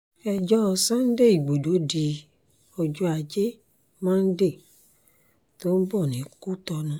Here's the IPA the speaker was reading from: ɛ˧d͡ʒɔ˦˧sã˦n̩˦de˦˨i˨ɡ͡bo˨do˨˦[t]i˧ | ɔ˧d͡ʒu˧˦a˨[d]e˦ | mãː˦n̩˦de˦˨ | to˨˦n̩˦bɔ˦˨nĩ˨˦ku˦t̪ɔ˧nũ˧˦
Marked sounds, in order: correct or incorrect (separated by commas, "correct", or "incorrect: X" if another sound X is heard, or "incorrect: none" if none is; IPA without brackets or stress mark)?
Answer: incorrect: d, incorrect: d͡ʒ